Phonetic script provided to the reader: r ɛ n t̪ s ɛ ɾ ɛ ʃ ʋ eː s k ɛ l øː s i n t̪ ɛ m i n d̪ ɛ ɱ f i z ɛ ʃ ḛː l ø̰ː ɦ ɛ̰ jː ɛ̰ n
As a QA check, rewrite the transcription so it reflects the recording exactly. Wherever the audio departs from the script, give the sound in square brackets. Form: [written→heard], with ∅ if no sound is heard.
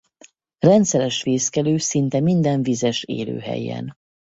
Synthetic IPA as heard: r ɛ n t̪ s ɛ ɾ ɛ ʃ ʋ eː s k ɛ l øː s i n t̪ ɛ m i n d̪ ɛ ɱ [f→v] i z ɛ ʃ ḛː l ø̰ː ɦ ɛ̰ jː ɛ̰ n